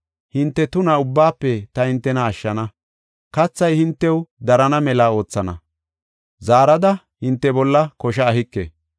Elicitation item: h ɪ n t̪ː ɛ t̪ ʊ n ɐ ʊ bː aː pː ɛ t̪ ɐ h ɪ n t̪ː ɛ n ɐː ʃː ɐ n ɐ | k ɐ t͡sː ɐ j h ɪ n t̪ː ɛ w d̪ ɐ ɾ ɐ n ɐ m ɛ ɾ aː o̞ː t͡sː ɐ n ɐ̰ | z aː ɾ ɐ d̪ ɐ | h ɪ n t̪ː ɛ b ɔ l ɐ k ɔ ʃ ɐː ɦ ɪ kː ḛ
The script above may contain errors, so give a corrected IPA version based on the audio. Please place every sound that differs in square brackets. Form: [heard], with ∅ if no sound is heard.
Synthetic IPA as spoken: h ɪ n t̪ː ɛ t̪ ʊ n ɐ ʊ bː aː pː ɛ t̪ ɐ h ɪ n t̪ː ɛ n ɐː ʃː ɐ n ɐ | k ɐ t͡sː ɐ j h ɪ n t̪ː ɛ w d̪ ɐ ɾ ɐ n ɐ m ɛ [l] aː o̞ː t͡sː ɐ n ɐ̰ | z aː ɾ ɐ d̪ ɐ | h ɪ n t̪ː ɛ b ɔ [lː] ɐ k ɔ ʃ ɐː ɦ ɪ kː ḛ

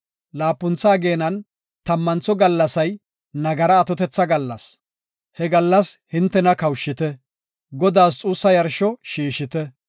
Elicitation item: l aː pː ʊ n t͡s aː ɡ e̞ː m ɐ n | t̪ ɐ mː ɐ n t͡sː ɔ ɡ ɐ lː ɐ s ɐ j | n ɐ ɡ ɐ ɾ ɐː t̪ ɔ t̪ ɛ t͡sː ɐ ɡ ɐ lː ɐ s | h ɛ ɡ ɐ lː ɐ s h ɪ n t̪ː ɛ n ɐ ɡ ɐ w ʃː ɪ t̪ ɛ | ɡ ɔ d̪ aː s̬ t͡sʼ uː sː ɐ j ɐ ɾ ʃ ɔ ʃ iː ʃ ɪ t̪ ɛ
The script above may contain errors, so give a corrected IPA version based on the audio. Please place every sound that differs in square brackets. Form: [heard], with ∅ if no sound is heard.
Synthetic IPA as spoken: l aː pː ʊ n t͡s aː ɡ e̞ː [n] ɐ n | t̪ ɐ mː ɐ n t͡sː ɔ ɡ ɐ lː ɐ s ɐ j | n ɐ ɡ ɐ ɾ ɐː t̪ ɔ t̪ ɛ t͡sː ɐ ɡ ɐ lː ɐ s | h ɛ ɡ ɐ lː ɐ s h ɪ n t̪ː ɛ n ɐ [k] ɐ w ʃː ɪ t̪ ɛ | ɡ ɔ d̪ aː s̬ t͡sʼ uː sː ɐ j ɐ ɾ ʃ ɔ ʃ iː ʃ ɪ t̪ ɛ

